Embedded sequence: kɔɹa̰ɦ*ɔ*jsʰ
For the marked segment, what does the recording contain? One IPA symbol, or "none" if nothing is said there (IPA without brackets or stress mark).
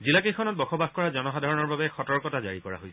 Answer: o